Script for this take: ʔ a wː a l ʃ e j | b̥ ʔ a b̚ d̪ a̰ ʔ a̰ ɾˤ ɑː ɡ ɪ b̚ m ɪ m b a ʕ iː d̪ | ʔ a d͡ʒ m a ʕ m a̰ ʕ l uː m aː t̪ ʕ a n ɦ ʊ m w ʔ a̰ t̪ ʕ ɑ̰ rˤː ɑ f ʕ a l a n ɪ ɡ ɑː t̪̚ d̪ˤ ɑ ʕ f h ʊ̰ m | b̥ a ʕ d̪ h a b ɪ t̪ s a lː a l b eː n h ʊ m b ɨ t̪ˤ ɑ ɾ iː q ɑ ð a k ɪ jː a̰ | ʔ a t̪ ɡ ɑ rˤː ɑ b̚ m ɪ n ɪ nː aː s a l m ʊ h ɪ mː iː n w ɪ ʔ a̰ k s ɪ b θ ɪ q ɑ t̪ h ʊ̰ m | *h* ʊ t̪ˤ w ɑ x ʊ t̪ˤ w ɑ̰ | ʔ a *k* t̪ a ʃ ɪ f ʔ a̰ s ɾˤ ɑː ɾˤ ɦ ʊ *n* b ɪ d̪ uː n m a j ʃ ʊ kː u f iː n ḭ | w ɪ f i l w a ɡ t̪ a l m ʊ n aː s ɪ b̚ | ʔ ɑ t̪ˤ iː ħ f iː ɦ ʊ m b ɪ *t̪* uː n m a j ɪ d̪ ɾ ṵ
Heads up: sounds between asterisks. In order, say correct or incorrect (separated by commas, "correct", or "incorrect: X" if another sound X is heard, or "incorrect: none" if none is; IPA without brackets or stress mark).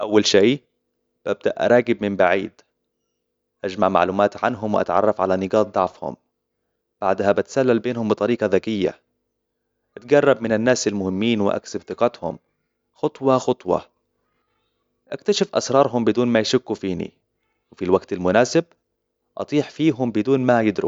incorrect: x, correct, incorrect: m, incorrect: d̪